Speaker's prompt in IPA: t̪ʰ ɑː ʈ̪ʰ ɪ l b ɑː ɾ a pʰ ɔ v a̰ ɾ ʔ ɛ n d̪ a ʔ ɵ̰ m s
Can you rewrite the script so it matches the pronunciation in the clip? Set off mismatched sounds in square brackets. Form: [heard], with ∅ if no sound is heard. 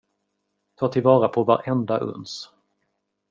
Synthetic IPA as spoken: t̪ʰ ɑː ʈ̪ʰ ɪ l [v] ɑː ɾ a pʰ ɔ v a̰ ɾ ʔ ɛ n d̪ a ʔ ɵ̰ [n] s

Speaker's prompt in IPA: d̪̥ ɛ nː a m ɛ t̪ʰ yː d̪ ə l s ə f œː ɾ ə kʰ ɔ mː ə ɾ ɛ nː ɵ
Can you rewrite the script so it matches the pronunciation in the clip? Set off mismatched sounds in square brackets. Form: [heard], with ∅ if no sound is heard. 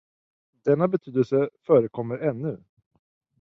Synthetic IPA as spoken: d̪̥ ɛ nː a [b] ɛ t̪ʰ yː d̪ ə l s ə f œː ɾ ə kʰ ɔ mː ə ɾ ɛ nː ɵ

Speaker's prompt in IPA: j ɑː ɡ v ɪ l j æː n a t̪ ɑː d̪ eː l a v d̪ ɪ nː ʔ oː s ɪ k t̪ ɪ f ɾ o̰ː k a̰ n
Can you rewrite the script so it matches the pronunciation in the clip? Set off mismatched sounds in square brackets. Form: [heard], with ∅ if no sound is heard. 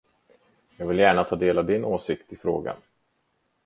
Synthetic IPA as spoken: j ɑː ɡ v ɪ l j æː [ɳ] a [t̪ʰ] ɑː d̪ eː l a v d̪ ɪ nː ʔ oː s ɪ k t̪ ɪ f ɾ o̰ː [ɡ] a̰ n

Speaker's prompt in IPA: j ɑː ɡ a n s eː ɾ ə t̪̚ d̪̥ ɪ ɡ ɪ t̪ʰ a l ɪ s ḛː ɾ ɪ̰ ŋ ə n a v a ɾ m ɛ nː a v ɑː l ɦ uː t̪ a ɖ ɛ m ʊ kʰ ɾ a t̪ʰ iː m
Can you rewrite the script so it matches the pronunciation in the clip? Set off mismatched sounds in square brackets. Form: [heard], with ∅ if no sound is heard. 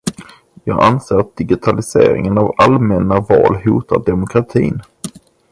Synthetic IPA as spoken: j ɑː ɡ a n s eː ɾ [a] t̪̚ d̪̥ ɪ ɡ ɪ t̪ʰ a l ɪ s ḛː ɾ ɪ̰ ŋ ə n a v a [l] m ɛ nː a v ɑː l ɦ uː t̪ a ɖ ɛ m ʊ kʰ ɾ a t̪ʰ iː [n]

